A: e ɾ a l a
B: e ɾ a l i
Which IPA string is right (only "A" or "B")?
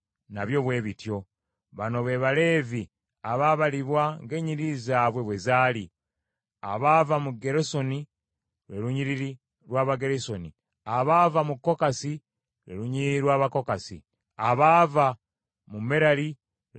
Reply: B